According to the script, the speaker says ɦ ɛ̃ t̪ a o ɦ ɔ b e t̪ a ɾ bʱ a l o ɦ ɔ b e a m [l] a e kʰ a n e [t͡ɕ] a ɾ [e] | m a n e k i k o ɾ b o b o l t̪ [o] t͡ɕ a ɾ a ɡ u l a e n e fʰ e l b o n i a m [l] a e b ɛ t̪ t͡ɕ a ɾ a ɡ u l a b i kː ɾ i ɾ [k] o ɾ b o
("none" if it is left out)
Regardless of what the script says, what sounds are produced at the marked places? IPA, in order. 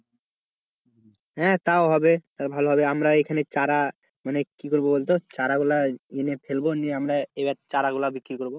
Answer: ɾ, t͡ɕ, a, o, ɾ, k

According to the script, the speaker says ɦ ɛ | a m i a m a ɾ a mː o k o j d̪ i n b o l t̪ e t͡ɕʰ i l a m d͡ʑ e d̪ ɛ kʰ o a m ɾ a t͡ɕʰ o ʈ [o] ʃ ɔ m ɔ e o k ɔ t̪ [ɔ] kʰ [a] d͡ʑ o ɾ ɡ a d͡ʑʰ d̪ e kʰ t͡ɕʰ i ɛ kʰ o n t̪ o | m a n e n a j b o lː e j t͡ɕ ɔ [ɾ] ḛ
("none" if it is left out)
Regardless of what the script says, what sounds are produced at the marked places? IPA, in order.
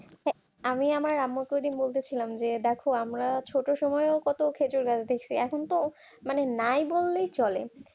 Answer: o, o, e, l

